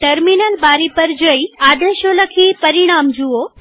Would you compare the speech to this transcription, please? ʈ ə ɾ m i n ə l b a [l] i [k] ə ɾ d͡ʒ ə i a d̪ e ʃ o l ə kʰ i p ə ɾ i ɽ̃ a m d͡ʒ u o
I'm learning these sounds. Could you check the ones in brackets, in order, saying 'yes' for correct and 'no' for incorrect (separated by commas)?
no, no